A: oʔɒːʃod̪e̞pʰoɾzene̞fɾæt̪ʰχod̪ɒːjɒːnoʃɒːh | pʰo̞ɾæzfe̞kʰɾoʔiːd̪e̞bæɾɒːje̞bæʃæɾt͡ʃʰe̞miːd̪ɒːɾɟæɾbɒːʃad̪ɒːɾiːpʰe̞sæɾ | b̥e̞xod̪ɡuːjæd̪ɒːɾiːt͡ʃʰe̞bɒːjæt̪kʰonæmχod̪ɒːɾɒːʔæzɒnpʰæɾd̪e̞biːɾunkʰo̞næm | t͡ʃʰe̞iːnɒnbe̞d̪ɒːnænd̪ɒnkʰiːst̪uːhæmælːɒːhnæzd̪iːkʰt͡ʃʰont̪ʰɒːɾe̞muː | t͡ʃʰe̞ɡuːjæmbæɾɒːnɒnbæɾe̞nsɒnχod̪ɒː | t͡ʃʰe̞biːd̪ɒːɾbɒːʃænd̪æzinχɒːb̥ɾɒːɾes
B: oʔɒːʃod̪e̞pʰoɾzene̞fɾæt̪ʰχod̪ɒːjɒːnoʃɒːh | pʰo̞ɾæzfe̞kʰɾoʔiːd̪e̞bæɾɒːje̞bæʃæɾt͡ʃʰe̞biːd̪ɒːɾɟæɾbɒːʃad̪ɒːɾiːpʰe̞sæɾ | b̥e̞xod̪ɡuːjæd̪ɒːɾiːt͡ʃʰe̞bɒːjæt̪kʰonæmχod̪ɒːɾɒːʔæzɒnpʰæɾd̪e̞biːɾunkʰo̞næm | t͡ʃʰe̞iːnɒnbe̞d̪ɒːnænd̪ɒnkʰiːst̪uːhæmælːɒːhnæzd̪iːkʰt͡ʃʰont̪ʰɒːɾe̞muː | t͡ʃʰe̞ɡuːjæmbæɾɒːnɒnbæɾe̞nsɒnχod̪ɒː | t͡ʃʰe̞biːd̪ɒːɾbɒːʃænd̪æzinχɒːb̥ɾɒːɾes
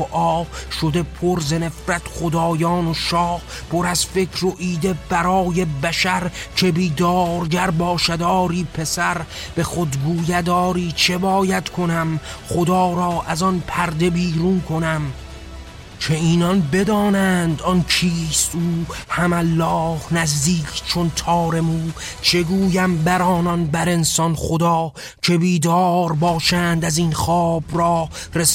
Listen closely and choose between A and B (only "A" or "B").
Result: B